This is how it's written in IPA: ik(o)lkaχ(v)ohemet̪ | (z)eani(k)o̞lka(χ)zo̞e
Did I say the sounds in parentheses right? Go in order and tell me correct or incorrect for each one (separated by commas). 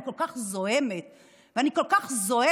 correct, incorrect, incorrect, correct, correct